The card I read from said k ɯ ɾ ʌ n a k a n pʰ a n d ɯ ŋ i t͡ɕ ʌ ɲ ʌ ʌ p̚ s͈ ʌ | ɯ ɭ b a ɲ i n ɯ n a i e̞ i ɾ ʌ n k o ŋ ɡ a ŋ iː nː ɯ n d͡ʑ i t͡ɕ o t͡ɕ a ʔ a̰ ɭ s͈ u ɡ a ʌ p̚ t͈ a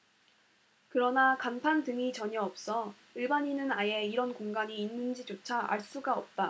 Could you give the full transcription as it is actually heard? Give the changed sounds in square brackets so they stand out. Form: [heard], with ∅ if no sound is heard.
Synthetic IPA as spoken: k ɯ ɾ ʌ n a k a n pʰ a n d ɯ ŋ i t͡ɕ ʌ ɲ ʌ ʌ p̚ s͈ ʌ | ɯ ɭ b a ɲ i n ɯ n a [j] e̞ i ɾ ʌ n k o ŋ ɡ a [ɲ] iː nː ɯ n d͡ʑ i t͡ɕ o [t͡ɕʰ] a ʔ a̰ ɭ s͈ u ɡ a ʌ p̚ t͈ a